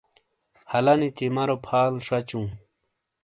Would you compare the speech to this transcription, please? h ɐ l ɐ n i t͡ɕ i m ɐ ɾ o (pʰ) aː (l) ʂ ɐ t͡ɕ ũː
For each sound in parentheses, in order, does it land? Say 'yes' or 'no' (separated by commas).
yes, yes